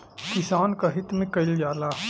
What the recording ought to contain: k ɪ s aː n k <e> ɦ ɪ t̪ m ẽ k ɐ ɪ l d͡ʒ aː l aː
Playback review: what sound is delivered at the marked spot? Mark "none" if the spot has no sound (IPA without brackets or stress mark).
a